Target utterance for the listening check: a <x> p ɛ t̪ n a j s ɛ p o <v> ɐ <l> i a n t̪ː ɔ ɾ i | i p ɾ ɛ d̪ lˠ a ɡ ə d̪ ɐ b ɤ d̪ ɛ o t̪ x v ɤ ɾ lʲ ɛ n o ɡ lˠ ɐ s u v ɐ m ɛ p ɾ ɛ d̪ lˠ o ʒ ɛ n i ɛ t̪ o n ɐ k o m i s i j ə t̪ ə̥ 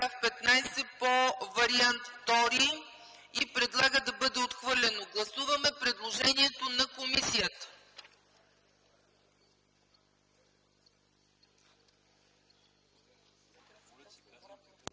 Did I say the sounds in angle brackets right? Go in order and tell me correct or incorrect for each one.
incorrect, correct, incorrect

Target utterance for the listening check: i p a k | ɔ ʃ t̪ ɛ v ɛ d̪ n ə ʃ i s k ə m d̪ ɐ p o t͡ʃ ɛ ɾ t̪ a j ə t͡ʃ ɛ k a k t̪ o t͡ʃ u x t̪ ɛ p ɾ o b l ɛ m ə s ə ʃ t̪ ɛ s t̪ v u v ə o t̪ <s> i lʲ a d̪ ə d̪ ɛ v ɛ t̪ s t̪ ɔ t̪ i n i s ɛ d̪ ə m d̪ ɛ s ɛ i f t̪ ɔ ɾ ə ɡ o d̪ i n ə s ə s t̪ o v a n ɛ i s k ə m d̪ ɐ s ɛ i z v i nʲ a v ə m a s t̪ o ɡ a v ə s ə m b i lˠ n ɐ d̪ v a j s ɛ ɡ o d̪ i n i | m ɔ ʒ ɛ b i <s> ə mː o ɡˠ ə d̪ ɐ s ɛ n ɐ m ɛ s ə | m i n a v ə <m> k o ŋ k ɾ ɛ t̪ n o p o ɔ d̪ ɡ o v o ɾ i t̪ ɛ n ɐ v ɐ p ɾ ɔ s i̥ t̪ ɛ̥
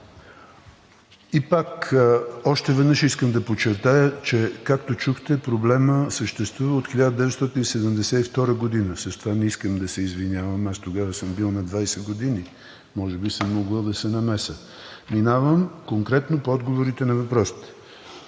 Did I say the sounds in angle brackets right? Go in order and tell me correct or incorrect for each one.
incorrect, correct, correct

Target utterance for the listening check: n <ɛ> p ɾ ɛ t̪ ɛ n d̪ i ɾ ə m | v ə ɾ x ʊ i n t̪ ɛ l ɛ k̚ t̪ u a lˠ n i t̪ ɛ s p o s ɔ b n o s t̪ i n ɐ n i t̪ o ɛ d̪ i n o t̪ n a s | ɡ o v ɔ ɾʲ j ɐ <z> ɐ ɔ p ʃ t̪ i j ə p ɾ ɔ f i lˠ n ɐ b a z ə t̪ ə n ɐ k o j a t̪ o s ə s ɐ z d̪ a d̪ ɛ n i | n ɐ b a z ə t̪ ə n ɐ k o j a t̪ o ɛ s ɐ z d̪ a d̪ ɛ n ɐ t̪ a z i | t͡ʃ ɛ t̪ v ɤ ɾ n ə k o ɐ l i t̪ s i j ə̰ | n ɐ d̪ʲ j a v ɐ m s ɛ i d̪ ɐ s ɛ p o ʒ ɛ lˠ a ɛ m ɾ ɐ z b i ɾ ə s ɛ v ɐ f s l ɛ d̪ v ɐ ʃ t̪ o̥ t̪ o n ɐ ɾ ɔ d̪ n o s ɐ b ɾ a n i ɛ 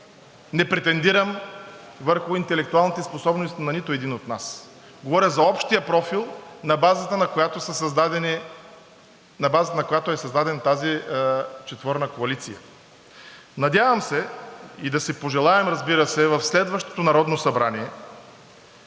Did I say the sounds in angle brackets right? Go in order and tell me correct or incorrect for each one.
correct, correct

